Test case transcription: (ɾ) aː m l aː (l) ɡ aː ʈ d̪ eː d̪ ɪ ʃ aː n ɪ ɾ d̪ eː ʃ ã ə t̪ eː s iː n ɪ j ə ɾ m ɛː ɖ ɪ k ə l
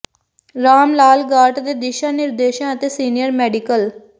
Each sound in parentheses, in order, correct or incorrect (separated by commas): correct, correct